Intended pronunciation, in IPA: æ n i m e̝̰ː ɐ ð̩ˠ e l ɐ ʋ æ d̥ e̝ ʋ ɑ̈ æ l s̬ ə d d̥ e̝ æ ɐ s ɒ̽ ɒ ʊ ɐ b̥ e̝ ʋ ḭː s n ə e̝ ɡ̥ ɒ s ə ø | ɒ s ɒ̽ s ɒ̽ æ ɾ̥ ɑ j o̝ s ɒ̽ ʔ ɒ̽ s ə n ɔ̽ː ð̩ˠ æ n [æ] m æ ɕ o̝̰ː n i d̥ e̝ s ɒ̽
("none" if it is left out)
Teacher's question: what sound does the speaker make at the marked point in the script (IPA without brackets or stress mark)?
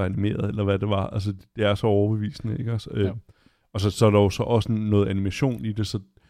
i